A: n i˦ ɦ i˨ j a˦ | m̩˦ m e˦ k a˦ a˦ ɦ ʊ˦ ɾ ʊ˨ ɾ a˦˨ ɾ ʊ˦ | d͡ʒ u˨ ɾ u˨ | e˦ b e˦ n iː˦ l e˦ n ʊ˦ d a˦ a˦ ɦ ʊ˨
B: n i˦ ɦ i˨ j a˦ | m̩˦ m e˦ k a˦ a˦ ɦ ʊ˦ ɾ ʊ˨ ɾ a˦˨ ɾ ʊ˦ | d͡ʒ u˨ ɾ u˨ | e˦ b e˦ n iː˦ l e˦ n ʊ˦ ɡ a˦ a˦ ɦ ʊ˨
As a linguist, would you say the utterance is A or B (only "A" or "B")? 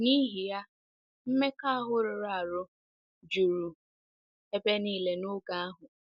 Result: B